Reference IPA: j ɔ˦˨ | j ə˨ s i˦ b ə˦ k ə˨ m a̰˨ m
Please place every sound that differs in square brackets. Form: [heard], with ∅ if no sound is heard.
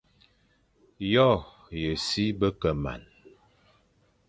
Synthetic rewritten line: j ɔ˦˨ | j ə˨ s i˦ b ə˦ k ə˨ m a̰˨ [n]